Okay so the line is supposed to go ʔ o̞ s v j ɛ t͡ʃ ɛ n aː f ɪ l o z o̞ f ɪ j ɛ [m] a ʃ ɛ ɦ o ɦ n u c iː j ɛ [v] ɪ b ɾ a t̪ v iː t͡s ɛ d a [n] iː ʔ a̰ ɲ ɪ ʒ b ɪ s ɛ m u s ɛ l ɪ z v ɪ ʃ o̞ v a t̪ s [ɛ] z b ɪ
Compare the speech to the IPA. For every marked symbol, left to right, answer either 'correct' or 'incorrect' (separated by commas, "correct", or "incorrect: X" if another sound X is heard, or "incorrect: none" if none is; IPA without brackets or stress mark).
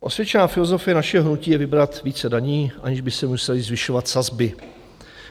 incorrect: n, correct, incorrect: ɲ, incorrect: a